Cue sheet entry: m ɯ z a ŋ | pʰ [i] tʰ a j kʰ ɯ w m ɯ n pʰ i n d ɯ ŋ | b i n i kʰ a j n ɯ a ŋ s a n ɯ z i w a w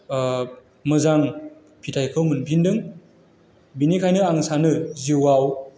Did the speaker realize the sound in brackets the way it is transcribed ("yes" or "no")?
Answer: yes